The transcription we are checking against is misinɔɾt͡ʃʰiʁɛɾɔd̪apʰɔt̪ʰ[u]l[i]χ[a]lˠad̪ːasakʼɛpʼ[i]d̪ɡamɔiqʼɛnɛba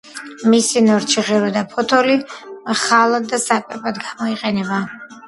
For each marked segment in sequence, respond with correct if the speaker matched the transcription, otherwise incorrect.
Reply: incorrect, correct, correct, incorrect

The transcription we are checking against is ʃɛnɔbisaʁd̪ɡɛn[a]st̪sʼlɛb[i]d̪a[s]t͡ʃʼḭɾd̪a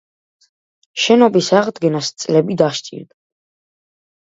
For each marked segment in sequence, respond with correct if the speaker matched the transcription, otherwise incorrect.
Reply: correct, correct, incorrect

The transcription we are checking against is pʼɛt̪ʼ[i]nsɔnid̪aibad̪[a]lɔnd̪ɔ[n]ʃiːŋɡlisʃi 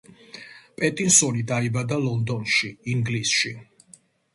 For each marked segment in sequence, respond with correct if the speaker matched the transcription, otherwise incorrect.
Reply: correct, correct, correct

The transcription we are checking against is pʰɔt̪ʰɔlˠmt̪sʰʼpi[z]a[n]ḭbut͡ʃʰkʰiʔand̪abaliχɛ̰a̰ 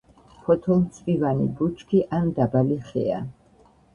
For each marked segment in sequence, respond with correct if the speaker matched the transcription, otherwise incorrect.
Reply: incorrect, correct

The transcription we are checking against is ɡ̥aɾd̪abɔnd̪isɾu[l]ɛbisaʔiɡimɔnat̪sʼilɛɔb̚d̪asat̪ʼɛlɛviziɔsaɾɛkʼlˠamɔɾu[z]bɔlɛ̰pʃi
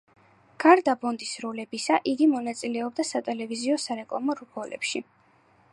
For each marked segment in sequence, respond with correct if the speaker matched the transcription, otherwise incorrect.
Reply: correct, incorrect

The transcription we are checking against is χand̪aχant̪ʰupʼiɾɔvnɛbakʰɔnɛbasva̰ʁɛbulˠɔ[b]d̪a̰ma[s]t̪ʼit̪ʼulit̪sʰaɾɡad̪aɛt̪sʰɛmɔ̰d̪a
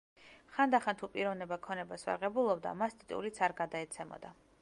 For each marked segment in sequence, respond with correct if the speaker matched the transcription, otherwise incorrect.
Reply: correct, correct

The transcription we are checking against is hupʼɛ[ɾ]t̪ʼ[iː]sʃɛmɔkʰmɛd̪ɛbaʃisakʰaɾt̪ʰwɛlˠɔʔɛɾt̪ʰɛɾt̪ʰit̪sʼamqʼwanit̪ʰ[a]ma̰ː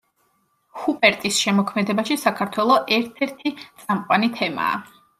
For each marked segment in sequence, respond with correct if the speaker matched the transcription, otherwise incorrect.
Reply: correct, incorrect, incorrect

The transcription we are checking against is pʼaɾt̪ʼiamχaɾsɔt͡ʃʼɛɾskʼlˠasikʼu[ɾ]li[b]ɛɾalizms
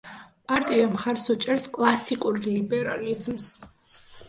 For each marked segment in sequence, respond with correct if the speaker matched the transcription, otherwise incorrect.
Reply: correct, correct

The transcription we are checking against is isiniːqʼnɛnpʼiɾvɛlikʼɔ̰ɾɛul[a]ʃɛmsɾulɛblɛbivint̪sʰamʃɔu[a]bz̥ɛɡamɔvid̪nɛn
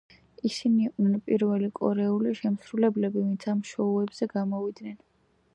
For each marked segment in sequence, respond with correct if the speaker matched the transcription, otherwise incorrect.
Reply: incorrect, incorrect

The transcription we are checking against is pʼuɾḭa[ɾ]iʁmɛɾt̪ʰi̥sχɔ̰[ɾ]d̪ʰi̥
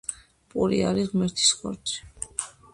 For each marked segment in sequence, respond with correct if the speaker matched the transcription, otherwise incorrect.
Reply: correct, correct

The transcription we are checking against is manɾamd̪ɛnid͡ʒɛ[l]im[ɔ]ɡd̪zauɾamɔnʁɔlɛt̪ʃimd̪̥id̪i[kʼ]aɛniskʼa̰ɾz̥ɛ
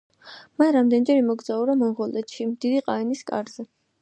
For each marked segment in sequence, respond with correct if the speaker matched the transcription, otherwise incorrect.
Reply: incorrect, correct, incorrect

